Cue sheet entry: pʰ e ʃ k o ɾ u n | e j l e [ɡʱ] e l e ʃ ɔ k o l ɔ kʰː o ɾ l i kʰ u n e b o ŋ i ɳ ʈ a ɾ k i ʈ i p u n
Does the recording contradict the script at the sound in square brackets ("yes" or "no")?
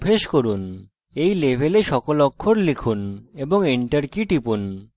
yes